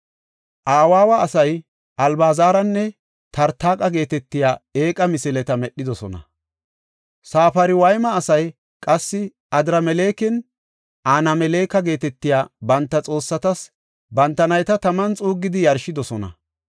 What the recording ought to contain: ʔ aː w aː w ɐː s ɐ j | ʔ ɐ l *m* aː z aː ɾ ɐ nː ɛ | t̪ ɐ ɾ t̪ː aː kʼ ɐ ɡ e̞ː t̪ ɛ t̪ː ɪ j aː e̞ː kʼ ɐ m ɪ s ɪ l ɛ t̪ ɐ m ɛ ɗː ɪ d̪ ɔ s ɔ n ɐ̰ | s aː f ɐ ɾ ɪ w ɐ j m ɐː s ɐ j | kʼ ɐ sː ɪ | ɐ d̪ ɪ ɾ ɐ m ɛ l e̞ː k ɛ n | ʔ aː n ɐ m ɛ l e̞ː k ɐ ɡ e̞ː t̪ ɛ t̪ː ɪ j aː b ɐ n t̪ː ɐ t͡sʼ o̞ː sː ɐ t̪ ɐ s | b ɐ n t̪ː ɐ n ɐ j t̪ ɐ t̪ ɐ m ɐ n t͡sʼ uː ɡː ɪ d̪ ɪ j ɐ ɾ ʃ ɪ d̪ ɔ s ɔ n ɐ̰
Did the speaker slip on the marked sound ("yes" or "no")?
yes